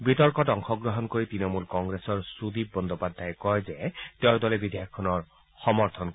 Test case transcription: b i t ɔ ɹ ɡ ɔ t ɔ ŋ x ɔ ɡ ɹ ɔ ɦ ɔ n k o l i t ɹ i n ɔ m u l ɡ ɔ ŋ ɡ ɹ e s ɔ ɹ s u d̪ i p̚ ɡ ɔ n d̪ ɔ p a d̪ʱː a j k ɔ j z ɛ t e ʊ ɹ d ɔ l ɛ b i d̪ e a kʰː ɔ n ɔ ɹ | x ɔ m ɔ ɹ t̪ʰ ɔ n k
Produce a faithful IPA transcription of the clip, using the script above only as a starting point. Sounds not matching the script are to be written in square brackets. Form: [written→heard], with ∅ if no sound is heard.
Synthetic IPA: b i t ɔ ɹ [ɡ→k] ɔ t ɔ ŋ x ɔ ɡ ɹ ɔ ɦ ɔ n k o [l→ɹ] i t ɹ i n ɔ m u l [ɡ→k] ɔ ŋ ɡ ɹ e s ɔ ɹ s u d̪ i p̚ [ɡ→b] ɔ n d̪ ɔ p a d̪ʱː a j k ɔ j z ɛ t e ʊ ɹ d ɔ l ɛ b i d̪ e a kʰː ɔ n ɔ ɹ | x ɔ m ɔ ɹ t̪ʰ ɔ n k